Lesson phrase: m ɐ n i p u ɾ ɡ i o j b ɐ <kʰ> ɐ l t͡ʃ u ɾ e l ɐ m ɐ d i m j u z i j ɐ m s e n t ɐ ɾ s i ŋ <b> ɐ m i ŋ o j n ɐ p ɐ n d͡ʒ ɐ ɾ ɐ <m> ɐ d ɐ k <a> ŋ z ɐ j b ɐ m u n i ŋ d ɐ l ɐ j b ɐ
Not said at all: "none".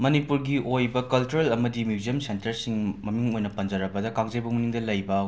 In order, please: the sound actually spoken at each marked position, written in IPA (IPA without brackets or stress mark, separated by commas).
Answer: k, m, b, a